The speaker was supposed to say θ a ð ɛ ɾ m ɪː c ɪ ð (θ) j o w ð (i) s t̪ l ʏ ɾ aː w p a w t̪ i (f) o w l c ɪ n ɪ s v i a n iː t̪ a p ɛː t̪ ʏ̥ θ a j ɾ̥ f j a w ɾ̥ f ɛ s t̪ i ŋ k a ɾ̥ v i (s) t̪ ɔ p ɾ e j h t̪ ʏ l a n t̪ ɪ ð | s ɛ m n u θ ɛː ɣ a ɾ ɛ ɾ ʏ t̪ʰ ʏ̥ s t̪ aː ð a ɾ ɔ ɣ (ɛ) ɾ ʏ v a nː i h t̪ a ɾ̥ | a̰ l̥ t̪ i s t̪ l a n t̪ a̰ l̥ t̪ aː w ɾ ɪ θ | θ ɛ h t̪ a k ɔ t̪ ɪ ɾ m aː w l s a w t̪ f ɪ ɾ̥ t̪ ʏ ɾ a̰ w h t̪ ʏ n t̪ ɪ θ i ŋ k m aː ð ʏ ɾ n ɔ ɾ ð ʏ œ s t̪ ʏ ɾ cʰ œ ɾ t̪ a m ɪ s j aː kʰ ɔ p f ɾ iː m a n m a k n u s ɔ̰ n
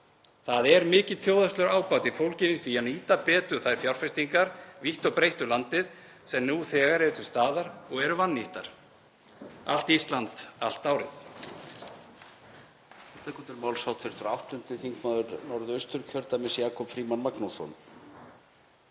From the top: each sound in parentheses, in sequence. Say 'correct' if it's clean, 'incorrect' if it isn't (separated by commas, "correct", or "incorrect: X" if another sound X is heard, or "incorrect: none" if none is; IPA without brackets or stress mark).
correct, incorrect: a, correct, incorrect: h, correct